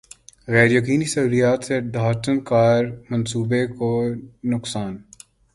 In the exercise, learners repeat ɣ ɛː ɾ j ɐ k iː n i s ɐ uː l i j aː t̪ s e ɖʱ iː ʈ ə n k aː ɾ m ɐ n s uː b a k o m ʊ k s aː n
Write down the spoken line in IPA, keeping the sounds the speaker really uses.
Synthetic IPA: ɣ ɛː ɾ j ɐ k iː n i s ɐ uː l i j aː t̪ s e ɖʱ aː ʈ ə n k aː ɾ m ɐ n s uː b e k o n ʊ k s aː n